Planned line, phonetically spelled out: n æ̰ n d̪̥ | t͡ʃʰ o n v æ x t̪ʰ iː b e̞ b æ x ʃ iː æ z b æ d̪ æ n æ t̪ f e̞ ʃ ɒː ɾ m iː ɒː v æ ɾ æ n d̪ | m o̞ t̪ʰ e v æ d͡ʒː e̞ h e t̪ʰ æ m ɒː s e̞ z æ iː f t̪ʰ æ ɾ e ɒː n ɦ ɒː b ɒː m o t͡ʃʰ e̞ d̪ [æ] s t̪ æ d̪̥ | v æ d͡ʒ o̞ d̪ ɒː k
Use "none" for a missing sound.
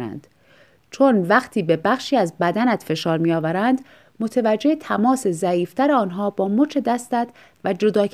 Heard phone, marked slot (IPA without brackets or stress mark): æ